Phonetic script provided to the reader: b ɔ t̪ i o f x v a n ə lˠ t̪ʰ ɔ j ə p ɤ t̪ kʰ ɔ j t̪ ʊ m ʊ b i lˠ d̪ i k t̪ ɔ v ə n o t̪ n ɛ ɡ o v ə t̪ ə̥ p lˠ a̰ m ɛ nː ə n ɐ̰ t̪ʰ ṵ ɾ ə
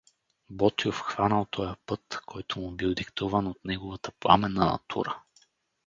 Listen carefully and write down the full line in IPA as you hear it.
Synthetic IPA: b ɔ t̪ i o f x v a n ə lˠ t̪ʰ ɔ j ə p ɤ t̪ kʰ ɔ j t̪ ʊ m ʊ b i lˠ d̪ i k t̪ u v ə n o t̪ n ɛ ɡ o v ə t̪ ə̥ p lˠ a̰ m ɛ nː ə n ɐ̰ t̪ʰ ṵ ɾ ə